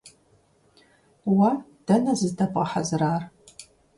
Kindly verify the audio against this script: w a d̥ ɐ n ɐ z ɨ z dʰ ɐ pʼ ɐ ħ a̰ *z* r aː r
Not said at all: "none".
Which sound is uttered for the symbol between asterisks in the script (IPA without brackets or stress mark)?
z